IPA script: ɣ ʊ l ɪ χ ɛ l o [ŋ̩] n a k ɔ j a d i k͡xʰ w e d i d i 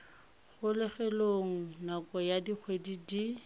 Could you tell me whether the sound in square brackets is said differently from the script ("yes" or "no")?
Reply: no